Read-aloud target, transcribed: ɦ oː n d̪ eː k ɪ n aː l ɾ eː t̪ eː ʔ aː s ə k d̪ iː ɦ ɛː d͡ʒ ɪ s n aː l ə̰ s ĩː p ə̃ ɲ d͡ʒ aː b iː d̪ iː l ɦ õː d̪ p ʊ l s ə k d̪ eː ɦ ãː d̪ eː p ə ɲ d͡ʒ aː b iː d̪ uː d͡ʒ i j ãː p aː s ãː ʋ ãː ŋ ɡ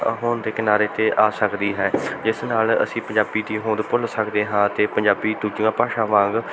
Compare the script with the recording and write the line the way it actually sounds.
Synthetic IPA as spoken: ɦ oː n d̪ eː k ɪ n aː ɾ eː t̪ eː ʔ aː s ə k d̪ iː ɦ ɛː d͡ʒ ɪ s n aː l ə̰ s ĩː p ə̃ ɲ d͡ʒ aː b iː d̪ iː ɦ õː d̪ p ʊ l s ə k d̪ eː ɦ ãː t̪ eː p ə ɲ d͡ʒ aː b iː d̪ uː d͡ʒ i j ãː p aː ʃ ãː ʋ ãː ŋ ɡ

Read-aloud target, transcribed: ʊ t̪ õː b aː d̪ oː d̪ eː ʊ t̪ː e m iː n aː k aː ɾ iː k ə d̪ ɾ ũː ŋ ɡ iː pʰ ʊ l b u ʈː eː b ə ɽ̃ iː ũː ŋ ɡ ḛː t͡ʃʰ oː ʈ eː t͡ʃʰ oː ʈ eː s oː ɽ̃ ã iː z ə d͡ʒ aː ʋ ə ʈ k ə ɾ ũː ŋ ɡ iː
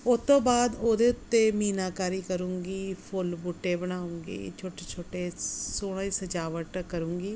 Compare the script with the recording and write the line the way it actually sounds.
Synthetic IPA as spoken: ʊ t̪ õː b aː d̪ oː d̪ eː ʊ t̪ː e m iː n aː k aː ɾ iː k ə ɾ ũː ŋ ɡ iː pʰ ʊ l b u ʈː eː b ə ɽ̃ aː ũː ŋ ɡ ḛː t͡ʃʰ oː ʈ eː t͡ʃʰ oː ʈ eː s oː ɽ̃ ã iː s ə d͡ʒ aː ʋ ə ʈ k ə ɾ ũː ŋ ɡ iː

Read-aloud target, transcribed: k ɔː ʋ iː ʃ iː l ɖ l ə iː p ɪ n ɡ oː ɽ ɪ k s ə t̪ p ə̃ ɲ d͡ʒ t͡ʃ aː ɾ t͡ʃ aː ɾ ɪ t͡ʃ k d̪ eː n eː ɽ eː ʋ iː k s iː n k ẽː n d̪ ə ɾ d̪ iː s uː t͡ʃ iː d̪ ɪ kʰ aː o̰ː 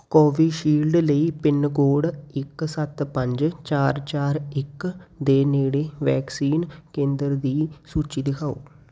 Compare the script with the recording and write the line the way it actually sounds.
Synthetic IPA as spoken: k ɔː ʋ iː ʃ iː l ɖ l ə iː p ɪ n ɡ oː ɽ ɪ k s ə t̪ p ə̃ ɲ d͡ʒ t͡ʃ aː ɾ t͡ʃ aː ɾ ɪ k d̪ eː n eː ɽ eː ʋ ɛː k s iː n k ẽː n d̪ ə ɾ d̪ iː s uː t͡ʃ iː d̪ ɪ kʰ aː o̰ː

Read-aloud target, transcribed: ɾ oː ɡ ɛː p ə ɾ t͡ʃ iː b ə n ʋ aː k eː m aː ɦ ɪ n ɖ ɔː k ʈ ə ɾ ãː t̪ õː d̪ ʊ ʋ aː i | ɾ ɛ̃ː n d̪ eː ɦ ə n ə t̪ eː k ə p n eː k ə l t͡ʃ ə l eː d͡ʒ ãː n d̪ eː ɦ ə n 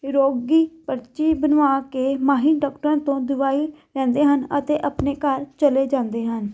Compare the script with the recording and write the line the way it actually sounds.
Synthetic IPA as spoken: ɾ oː ɡ iː p ə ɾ t͡ʃ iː b ə n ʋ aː k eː m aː ɦ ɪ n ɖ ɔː k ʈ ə ɾ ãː t̪ õː d̪ ʊ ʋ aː i | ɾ ɛ̃ː n d̪ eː ɦ ə n ə t̪ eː ʔ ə p n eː k ə ɾ t͡ʃ ə l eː d͡ʒ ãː n d̪ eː ɦ ə n

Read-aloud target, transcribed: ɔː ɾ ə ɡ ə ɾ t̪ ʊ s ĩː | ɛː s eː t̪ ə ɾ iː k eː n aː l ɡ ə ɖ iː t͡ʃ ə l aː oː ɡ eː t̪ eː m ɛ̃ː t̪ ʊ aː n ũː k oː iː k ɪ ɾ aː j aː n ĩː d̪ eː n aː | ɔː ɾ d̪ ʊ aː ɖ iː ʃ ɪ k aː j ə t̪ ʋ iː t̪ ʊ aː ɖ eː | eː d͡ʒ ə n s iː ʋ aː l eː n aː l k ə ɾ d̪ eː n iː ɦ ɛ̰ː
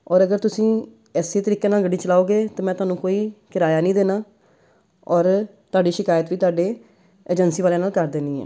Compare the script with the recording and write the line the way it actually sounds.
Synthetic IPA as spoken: ɔː ɾ ə ɡ ə ɾ t̪ ʊ s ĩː | ɛː s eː t̪ ə ɾ iː k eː n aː l ɡ ə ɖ iː t͡ʃ ə l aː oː ɡ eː t̪ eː m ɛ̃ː t̪ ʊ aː n ũː k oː iː k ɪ ɾ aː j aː n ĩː d̪ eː n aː | ɔː ɾ t̪ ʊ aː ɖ iː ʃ ɪ k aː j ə t̪ ʋ iː t̪ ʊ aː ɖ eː | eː d͡ʒ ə n s iː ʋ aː l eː n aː l k ə ɾ d̪ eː n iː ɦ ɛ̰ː

